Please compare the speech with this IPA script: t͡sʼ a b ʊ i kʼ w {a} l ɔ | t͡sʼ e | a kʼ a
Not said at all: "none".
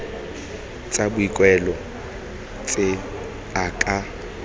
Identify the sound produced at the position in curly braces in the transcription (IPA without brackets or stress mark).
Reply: ɛ